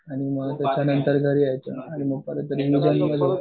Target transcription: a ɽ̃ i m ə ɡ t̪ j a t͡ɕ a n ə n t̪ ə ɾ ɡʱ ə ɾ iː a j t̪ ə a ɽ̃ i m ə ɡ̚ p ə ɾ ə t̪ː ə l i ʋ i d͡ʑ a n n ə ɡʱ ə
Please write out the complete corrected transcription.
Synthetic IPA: a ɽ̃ i m ə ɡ t̪ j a t͡ɕ a n ə n t̪ ə ɾ ɡʱ ə ɾ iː a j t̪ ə a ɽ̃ i m ə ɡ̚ p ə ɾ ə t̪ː ə ɾ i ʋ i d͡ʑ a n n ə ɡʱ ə